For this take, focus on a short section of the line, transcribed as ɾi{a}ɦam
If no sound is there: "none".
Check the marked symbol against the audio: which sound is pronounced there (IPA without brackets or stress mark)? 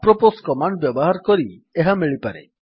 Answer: e